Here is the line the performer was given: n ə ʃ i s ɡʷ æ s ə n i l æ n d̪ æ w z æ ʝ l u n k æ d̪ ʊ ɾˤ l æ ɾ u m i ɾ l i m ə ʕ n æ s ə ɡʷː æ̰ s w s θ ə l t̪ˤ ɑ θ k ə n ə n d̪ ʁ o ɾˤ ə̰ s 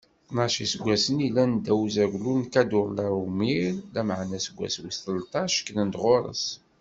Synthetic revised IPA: n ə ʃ i s ɡʷ æ s ə n i l æ n d̪ æ w z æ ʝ l u n k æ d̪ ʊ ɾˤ l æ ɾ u m i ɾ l æ m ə ʕ n æ s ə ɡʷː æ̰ s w s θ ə l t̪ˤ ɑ ʃ k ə n ə n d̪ ʁ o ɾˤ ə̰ s